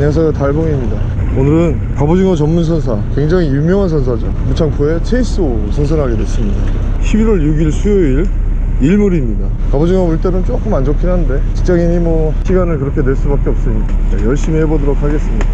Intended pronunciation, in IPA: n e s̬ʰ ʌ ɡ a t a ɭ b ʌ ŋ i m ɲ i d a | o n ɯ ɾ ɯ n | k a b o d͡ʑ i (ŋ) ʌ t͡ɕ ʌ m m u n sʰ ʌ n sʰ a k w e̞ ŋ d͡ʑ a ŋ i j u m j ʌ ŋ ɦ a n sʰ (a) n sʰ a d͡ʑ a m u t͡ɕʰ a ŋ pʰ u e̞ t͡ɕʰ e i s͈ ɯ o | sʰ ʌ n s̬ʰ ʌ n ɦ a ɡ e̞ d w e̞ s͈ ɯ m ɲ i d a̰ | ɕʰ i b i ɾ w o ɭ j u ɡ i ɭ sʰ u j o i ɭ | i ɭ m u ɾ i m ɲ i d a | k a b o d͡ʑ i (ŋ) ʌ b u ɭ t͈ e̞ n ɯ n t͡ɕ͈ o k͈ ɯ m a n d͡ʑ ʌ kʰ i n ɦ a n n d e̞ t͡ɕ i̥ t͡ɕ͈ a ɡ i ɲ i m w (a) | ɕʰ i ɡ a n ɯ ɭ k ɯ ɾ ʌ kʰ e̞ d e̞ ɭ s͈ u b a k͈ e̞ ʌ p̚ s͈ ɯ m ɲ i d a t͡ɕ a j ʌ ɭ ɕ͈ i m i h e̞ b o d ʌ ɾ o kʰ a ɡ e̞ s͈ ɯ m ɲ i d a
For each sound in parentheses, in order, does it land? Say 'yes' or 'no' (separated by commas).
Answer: yes, no, yes, no